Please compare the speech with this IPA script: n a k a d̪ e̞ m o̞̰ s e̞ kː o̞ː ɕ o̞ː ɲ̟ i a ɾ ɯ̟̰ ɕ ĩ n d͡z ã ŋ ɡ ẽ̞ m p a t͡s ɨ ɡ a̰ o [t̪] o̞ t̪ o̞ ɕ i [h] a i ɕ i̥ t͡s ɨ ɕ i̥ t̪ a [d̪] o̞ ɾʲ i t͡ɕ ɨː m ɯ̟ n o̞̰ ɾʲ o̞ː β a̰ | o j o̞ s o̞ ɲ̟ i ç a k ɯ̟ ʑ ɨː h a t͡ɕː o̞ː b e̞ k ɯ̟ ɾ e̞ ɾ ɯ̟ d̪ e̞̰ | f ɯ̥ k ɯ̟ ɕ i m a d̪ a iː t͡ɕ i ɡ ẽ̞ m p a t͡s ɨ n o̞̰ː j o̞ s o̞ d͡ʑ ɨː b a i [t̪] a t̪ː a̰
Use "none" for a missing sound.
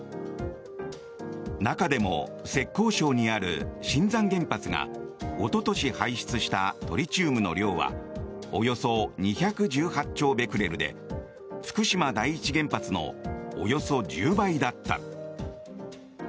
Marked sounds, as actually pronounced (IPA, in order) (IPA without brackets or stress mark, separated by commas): t̪, h, t̪, d̪